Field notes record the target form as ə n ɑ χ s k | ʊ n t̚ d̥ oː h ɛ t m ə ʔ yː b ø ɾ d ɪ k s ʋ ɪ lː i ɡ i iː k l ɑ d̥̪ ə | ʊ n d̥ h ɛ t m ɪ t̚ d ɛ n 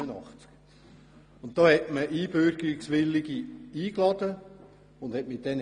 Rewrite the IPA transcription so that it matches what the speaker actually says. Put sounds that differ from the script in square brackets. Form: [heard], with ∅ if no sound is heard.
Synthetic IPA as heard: ə n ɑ χ [t͡s] k | ʊ n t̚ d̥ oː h ɛ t m ə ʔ [iː] b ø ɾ [ɡ] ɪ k s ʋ ɪ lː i ɡ i iː k l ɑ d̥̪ ə | ʊ n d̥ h ɛ t m ɪ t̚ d ɛ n